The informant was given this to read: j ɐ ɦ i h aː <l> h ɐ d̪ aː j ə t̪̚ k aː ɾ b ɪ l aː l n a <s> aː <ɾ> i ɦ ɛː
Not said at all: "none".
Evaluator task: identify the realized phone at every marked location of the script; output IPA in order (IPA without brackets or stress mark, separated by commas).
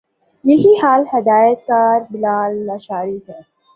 l, ʃ, ɾ